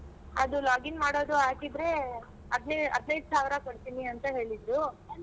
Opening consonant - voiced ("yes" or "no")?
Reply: yes